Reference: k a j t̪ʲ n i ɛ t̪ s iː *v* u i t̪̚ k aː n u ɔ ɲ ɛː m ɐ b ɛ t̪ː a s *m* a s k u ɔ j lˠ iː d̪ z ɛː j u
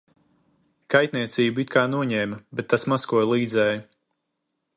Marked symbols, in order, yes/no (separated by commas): no, yes